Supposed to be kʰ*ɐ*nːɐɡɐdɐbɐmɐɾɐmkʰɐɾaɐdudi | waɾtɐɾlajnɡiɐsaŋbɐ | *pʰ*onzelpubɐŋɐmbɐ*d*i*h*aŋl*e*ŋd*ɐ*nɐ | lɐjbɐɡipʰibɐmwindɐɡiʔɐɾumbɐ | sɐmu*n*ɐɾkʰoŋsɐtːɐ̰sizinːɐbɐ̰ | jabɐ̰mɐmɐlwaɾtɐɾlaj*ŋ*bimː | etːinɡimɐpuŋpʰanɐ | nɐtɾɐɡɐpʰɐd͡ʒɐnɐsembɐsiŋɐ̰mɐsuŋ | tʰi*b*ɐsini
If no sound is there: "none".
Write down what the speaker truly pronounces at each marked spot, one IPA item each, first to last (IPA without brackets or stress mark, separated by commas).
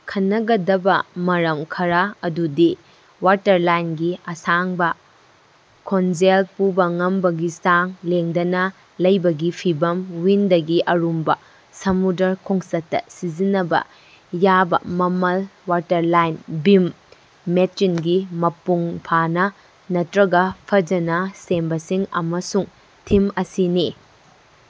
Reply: ɐ, kʰ, ɡ, s, e, ɐ, d, n, m